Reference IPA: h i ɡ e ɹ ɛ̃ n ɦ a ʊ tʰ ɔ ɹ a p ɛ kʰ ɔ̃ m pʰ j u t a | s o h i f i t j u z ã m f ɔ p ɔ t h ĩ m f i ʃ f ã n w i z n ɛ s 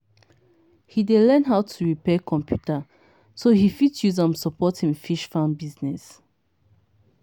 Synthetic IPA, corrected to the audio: h i d e l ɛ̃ n ɦ a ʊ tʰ u ɹ i p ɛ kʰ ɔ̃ m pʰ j u t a | s o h i f i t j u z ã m s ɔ p ɔ t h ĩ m f i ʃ f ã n b i z n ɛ s